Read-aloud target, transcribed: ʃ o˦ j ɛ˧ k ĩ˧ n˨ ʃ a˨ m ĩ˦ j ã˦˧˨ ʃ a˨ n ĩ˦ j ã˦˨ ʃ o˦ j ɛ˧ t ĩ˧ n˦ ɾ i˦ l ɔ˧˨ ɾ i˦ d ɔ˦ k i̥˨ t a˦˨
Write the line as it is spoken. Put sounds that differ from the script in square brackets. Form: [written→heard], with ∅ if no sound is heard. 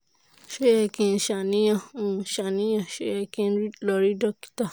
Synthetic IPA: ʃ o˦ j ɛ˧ k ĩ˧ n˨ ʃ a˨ [m→n] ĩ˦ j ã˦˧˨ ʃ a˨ n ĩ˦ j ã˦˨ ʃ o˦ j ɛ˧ [t→k] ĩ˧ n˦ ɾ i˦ l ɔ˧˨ ɾ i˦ d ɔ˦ k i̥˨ t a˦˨